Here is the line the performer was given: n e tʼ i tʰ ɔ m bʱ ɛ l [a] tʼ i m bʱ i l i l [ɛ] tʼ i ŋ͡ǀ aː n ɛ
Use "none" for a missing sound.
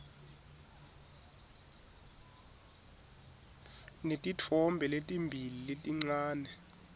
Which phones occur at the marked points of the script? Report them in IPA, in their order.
e, e

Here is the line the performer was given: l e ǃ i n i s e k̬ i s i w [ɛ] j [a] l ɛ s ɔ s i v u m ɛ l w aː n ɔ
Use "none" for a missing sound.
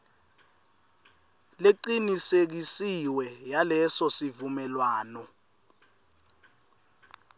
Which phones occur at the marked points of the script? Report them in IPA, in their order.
ɛ, a

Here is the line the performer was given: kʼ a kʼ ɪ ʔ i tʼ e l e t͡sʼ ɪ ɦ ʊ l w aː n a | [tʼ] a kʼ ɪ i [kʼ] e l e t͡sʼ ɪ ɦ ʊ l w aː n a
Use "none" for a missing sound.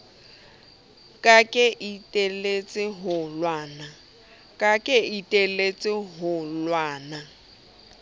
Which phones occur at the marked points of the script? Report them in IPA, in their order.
kʼ, tʼ

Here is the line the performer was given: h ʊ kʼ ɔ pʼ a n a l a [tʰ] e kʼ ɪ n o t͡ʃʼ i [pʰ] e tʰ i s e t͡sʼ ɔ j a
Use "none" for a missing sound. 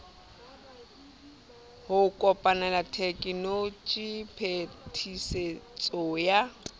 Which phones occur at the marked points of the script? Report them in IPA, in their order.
tʰ, pʰ

